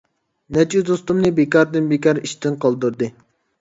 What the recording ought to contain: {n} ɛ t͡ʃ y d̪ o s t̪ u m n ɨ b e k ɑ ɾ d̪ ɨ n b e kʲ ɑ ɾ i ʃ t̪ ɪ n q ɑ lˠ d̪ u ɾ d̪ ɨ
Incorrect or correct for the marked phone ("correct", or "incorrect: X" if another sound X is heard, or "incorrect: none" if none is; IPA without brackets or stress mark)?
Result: correct